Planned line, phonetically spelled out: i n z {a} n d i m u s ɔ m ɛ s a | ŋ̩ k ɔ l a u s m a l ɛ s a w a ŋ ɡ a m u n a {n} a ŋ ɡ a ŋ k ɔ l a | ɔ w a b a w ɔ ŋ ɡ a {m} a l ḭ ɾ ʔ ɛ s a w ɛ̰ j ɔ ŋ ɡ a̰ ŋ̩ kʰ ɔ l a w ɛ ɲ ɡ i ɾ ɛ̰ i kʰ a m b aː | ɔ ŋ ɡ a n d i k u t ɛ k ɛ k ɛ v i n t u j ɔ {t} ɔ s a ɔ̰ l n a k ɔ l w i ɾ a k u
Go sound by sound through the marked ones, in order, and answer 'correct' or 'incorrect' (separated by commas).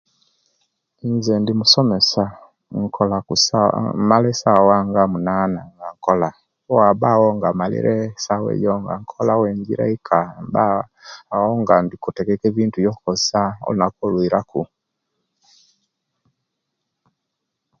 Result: incorrect, correct, correct, incorrect